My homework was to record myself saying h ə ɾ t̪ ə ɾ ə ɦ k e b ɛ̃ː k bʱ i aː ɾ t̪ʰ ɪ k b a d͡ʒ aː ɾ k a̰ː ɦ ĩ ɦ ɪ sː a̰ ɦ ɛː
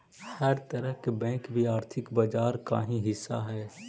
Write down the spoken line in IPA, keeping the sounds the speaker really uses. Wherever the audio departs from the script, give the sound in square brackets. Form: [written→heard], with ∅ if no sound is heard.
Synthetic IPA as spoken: h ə ɾ t̪ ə ɾ ə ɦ k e b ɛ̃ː k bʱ i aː ɾ t̪ʰ ɪ k b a d͡ʒ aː ɾ k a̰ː ɦ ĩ ɦ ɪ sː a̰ ɦ ɛː